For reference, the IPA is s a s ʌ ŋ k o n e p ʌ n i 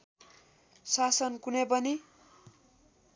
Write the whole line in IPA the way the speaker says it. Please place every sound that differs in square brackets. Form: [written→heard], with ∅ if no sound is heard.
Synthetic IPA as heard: s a s ʌ [ŋ→n] k [o→u] n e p ʌ n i